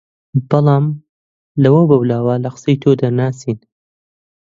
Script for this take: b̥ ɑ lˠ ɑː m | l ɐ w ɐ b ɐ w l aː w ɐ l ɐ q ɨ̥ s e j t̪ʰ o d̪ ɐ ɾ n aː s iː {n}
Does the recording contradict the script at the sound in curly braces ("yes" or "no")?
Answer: no